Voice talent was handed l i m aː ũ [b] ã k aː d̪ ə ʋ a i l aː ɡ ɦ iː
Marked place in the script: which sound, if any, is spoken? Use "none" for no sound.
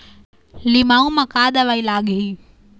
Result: m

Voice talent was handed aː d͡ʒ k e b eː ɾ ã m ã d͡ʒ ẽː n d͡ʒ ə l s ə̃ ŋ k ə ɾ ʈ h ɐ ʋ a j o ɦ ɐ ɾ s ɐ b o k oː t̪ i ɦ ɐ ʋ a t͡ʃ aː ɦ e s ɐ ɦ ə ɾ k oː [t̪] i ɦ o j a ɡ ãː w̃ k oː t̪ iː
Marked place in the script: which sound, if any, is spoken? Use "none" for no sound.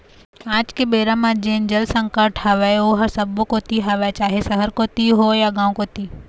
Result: t̪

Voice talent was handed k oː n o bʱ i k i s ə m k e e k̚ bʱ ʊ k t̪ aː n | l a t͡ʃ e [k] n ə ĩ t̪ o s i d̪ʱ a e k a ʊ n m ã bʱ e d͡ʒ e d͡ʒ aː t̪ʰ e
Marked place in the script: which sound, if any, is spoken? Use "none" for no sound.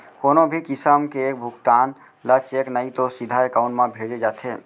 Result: k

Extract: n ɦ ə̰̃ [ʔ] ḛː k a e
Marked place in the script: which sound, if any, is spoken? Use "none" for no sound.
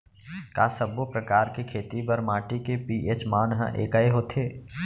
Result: ʔ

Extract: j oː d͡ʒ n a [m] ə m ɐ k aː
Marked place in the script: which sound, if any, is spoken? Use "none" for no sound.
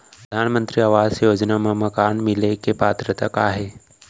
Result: m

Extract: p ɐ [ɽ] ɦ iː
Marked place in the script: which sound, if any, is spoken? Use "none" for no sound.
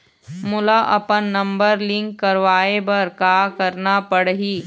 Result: ɽ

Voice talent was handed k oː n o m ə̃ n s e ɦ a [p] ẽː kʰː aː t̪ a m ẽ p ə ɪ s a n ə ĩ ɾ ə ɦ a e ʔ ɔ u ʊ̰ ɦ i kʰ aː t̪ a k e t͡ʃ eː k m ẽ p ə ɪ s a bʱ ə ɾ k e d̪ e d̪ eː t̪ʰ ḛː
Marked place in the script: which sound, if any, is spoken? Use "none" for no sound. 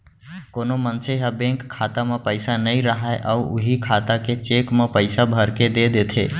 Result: b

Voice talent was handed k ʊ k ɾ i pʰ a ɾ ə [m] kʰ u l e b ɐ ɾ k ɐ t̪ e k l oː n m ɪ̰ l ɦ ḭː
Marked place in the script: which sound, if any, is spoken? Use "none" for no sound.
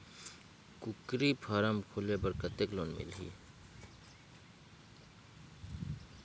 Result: m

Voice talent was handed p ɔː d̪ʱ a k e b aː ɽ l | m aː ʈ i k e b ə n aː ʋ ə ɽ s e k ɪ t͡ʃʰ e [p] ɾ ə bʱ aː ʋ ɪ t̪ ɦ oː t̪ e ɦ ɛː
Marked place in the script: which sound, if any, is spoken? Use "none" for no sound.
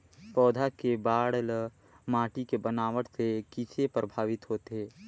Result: p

